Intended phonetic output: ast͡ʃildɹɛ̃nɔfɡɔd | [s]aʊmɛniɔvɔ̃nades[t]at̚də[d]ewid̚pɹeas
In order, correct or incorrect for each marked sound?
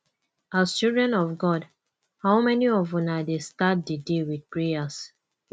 incorrect: h, correct, correct

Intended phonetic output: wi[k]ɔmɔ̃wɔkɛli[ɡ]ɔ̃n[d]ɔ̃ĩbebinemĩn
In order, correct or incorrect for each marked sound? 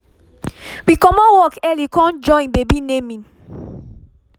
correct, incorrect: k, incorrect: d͡ʒ

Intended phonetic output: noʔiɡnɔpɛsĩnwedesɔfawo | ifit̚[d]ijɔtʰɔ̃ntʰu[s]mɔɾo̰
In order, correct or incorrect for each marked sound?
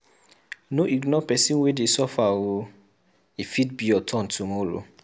incorrect: b, incorrect: none

